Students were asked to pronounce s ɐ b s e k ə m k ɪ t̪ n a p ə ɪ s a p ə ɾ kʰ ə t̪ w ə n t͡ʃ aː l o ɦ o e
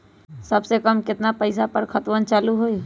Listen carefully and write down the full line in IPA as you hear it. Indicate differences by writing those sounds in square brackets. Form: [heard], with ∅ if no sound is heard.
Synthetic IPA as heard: s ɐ b s e k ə m k ɪ t̪ n a p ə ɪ s a p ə ɾ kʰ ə t̪ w ə n t͡ʃ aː l [u] ɦ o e